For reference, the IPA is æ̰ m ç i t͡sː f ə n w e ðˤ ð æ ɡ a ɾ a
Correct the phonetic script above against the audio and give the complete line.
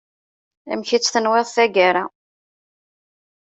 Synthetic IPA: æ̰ m ç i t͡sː θ ə n w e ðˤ θ æ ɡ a ɾ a